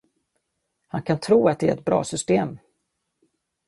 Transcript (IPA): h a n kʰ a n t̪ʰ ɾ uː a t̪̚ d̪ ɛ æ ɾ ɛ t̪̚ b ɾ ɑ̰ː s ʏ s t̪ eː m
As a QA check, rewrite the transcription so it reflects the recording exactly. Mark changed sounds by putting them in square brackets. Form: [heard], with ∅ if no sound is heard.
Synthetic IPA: h a n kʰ a n t̪ʰ ɾ uː a t̪̚ d̪ ɛ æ ɾ ɛ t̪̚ b ɾ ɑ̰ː s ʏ s t̪ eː m